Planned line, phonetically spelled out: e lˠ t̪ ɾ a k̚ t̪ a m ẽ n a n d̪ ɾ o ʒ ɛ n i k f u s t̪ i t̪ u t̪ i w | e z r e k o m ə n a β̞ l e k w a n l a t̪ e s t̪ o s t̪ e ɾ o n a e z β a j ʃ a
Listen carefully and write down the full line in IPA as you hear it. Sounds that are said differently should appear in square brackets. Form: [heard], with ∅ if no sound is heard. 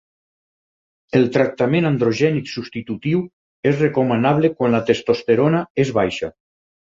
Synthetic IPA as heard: e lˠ t̪ ɾ a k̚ t̪ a m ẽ n a n d̪ ɾ o ʒ ɛ n i k [s] u s t̪ i t̪ u t̪ i w | e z r e k o m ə n a β̞ l e k w a n l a t̪ e s t̪ o s t̪ e ɾ o n a e z β a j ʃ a